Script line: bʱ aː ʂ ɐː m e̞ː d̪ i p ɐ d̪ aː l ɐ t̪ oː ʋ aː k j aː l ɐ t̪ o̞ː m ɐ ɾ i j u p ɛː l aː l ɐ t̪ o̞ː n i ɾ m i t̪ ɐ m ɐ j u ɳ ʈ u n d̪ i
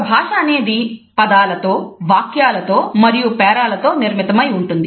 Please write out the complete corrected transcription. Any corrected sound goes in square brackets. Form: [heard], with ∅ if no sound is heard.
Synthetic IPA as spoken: bʱ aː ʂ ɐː [n] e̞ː d̪ i p ɐ d̪ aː l ɐ t̪ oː ʋ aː k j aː l ɐ t̪ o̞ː m ɐ ɾ i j u p ɛː [ɾ] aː l ɐ t̪ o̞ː n i ɾ m i t̪ ɐ m ɐ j u ɳ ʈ u n d̪ i